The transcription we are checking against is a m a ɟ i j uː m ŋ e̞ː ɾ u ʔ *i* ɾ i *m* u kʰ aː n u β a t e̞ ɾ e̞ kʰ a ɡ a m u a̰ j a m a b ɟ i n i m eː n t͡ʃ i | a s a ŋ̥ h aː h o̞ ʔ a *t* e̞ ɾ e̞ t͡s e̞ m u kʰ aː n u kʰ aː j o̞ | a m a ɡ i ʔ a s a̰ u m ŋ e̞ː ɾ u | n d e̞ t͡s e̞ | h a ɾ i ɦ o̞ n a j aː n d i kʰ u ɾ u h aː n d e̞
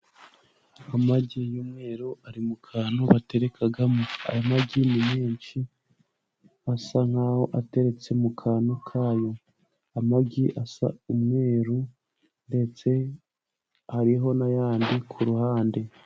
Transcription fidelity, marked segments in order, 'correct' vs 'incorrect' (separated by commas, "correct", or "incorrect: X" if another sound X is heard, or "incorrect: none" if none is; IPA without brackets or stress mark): incorrect: a, correct, correct